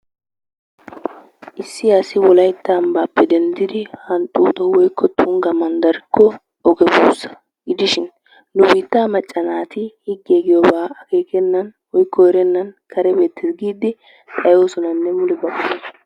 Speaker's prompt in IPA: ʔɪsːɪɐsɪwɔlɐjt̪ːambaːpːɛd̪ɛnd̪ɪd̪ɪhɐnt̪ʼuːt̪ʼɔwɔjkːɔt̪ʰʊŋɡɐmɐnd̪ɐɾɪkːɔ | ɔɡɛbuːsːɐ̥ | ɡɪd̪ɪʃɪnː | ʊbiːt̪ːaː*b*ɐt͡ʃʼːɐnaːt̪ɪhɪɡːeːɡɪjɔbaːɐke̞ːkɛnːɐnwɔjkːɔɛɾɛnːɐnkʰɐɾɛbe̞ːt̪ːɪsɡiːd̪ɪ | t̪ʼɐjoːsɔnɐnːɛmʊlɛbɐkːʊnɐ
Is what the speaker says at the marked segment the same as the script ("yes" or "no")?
no